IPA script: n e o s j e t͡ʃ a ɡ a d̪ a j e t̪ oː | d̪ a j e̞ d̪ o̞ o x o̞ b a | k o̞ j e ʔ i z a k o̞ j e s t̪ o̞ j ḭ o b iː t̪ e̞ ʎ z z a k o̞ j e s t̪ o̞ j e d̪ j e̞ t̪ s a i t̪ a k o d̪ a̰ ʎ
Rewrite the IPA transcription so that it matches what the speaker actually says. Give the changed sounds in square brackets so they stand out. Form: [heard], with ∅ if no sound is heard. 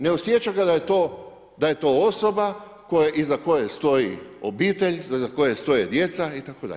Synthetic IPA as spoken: n e o s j e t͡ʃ a ɡ a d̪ a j e t̪ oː | d̪ a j e̞ [t̪] o̞ o [s] o̞ b a | k o̞ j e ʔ i z a k o̞ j e s t̪ o̞ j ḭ o b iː t̪ e̞ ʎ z z a k o̞ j e s t̪ o̞ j e d̪ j e̞ t̪ s a i t̪ a k o d̪ a̰ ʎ